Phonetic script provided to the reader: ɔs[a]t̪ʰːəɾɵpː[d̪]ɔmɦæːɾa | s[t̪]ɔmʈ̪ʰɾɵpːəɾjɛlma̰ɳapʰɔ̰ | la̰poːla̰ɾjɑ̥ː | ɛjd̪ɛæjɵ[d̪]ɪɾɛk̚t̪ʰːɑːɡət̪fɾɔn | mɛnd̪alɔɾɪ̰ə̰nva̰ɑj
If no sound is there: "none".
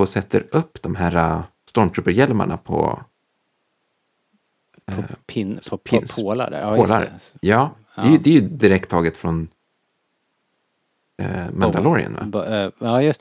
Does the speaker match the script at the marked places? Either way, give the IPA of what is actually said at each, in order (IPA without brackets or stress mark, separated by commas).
ɛ, d̪, t̪, d̪